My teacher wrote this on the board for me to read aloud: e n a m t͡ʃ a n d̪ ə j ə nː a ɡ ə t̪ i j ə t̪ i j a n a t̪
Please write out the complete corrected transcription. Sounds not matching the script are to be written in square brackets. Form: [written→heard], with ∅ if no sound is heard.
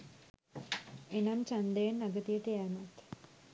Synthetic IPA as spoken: e n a m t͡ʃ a n d̪ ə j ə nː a ɡ ə t̪ i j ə t̪ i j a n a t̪